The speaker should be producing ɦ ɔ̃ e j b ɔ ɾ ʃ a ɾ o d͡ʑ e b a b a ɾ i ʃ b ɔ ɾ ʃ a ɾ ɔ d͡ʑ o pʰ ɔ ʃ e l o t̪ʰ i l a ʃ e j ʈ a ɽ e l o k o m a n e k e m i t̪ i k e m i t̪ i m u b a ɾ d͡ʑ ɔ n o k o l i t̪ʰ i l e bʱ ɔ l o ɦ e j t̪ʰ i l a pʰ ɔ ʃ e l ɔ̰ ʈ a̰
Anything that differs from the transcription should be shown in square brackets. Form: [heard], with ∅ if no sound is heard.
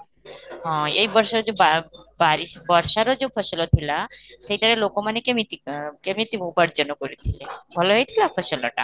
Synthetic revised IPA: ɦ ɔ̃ e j b ɔ ɾ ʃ a ɾ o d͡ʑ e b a b a ɾ i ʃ b ɔ ɾ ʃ a ɾ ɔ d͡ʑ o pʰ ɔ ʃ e l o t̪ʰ i l a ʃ e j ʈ a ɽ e l o k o m a n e k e m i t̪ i k e m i t̪ i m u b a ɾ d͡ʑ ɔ n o k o [ɾ] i t̪ʰ i l e bʱ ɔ l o ɦ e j t̪ʰ i l a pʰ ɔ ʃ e l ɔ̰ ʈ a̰